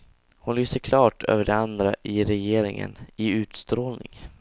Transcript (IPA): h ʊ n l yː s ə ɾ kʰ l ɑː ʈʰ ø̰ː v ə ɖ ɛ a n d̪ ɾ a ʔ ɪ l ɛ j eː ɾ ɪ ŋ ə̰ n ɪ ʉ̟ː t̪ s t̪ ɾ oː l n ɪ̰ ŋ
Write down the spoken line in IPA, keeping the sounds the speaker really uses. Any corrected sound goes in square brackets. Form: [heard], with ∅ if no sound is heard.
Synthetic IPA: h ʊ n l yː s ə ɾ kʰ l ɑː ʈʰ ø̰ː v ə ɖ ɛ a n d̪ ɾ a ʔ ɪ [ɾ] ɛ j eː ɾ ɪ ŋ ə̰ n ɪ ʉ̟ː t̪ s t̪ ɾ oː l n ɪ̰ ŋ